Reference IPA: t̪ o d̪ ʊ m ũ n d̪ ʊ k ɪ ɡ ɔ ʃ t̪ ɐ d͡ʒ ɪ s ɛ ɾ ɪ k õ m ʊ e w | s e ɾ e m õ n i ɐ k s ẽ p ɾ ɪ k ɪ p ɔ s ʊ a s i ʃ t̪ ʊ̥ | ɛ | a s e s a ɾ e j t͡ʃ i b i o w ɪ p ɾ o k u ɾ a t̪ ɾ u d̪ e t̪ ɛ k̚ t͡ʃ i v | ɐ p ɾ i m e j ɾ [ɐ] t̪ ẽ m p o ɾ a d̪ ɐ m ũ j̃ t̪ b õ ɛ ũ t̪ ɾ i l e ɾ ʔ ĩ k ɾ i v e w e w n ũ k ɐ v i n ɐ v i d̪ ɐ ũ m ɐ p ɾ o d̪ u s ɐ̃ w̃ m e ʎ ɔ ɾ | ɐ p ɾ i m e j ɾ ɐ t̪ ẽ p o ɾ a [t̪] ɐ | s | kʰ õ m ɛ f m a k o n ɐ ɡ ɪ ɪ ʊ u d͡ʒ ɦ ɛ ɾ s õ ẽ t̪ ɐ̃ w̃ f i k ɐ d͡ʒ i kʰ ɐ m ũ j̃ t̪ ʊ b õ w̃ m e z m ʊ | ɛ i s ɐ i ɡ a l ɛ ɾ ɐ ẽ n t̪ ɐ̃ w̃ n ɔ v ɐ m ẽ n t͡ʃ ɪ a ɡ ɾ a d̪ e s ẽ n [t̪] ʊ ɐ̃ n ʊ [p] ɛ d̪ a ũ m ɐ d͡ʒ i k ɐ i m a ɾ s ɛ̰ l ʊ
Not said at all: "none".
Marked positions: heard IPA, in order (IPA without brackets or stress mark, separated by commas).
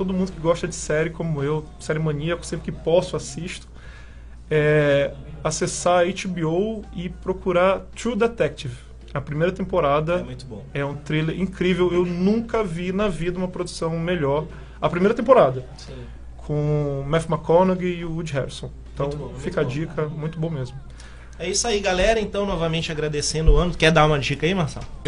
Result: ɐ, d̪, d̪, k